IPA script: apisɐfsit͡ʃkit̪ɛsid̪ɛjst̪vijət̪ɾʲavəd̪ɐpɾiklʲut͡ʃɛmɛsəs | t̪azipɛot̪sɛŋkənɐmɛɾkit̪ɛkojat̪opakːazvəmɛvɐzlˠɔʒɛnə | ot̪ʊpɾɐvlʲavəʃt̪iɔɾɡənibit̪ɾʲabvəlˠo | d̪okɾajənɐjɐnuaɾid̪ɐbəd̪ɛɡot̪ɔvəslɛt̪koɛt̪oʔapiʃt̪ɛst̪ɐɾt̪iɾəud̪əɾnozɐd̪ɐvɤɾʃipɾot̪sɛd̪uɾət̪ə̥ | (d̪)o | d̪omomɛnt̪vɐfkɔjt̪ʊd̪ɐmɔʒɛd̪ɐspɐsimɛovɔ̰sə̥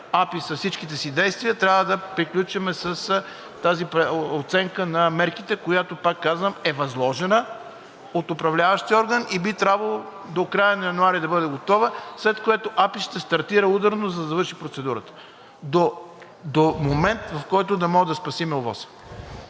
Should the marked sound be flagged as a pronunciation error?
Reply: no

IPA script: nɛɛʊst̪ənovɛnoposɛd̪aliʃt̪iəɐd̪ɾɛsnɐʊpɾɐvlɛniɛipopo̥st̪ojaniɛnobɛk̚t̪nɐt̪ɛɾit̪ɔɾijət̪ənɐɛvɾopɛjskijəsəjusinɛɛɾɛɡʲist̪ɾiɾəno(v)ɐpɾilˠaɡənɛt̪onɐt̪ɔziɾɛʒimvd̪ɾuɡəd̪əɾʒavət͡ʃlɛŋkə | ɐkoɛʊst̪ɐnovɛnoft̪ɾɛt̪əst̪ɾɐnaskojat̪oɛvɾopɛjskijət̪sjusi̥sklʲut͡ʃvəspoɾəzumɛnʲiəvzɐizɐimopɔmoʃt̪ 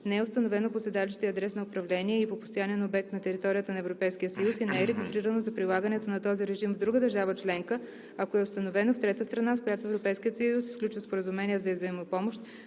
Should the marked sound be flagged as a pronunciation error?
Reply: yes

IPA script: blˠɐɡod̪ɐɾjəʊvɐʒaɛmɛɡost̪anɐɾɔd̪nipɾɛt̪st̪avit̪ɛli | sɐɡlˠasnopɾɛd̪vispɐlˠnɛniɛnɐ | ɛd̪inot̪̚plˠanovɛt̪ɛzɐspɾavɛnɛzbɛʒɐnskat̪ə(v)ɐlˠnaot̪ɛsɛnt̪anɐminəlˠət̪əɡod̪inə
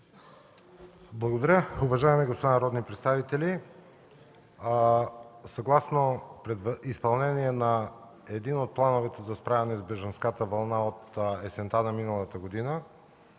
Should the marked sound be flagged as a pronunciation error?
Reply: no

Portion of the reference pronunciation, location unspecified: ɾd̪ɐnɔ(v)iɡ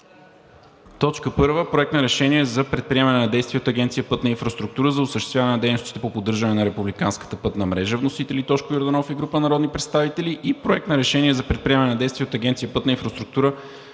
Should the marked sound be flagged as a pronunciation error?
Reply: yes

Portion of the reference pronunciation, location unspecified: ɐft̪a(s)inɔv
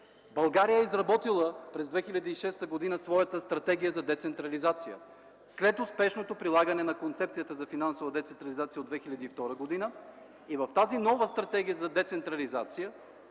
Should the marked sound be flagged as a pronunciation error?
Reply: yes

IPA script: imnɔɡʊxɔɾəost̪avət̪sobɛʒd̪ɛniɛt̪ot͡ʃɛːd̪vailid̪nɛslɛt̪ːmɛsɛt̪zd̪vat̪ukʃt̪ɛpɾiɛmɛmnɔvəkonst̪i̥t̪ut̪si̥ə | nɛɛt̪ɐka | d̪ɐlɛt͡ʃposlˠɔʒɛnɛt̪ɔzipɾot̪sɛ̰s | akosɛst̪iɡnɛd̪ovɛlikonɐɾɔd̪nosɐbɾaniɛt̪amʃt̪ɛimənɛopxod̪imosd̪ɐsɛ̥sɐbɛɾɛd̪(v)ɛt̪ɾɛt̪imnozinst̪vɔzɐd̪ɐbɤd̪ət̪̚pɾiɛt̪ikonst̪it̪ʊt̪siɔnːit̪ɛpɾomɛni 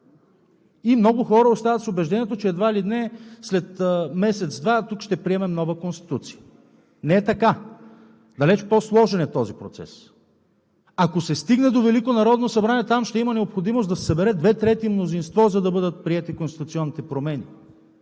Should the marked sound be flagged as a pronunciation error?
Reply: no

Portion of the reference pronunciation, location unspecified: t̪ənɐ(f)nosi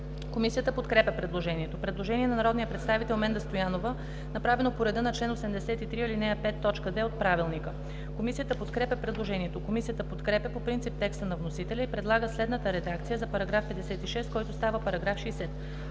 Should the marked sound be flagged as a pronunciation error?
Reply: yes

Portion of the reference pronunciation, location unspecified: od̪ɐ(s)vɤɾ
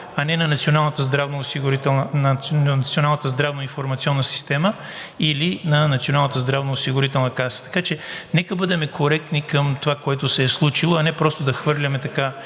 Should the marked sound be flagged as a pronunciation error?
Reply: yes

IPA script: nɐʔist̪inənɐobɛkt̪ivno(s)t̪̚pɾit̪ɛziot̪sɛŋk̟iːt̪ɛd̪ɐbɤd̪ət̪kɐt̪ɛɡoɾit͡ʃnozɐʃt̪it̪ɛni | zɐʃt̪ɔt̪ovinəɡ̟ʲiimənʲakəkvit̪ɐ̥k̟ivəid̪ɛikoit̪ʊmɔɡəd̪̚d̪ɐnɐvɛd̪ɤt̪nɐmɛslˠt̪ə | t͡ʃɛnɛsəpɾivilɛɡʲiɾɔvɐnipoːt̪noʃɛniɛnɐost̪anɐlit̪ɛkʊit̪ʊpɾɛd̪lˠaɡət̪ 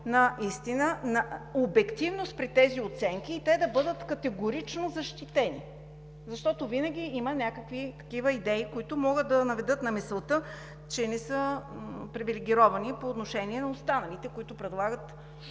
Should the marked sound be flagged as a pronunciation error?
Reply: no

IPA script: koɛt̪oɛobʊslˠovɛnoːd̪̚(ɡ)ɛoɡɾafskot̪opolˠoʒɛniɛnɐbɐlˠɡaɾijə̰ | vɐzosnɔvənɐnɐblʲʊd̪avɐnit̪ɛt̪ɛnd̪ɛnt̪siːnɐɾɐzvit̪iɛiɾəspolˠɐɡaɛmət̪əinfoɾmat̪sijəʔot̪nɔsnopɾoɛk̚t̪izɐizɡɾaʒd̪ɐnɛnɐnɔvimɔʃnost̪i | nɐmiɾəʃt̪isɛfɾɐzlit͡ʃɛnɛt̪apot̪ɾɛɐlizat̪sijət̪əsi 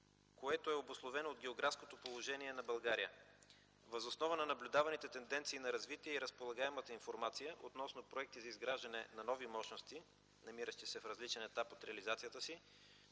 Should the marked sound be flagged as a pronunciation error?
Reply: no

